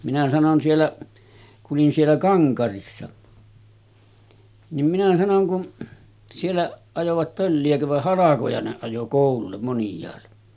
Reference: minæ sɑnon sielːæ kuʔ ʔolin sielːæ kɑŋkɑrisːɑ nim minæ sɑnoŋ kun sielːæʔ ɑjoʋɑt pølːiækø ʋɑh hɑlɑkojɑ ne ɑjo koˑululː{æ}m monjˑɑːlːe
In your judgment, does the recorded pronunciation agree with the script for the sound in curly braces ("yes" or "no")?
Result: no